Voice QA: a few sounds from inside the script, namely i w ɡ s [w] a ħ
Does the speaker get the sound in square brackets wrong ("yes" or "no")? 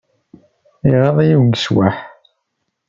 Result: no